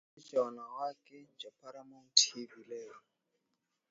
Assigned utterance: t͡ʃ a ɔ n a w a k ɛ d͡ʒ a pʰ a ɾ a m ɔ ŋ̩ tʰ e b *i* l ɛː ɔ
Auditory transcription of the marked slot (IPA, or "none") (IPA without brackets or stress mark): i